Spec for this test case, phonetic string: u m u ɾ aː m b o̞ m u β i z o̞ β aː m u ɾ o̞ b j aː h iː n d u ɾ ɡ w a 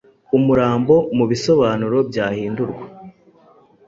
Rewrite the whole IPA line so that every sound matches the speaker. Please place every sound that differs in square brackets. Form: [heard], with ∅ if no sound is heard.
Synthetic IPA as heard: u m u ɾ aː m b o̞ m u β i [s] o̞ β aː [n] u ɾ o̞ b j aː h iː n d u ɾ ɡ w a